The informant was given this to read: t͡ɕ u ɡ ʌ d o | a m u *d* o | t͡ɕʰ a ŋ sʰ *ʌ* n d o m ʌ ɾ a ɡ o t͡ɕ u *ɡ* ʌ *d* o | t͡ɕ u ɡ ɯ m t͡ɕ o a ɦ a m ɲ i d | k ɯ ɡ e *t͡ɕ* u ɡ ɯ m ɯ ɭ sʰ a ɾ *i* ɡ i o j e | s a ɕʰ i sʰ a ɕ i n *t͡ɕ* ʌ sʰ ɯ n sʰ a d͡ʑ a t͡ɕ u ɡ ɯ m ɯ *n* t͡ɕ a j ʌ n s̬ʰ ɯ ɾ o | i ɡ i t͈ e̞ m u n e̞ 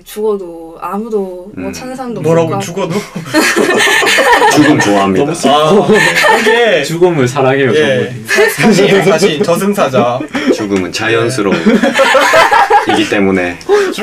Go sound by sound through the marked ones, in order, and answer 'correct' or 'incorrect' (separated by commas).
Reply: correct, incorrect, correct, correct, correct, incorrect, correct, correct